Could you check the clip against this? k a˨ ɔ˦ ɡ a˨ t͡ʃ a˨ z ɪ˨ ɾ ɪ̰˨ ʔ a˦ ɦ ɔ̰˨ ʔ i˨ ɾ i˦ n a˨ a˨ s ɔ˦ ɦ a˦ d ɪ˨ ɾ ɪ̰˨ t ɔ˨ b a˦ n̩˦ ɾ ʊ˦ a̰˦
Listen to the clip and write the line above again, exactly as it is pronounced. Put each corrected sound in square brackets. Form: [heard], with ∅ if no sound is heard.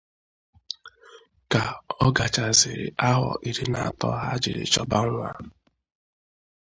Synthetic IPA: k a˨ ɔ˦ ɡ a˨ t͡ʃ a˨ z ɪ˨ ɾ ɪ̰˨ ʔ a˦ ɦ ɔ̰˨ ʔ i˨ ɾ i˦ n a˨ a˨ [t] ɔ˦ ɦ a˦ [d͡ʒ] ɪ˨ ɾ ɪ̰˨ [t͡ʃ] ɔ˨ b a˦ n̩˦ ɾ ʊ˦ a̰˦